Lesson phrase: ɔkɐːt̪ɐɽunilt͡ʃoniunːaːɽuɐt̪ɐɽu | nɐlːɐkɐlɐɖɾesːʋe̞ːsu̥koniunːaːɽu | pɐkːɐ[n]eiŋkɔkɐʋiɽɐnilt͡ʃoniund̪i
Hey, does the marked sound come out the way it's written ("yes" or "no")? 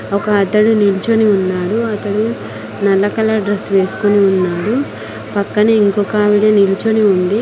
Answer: yes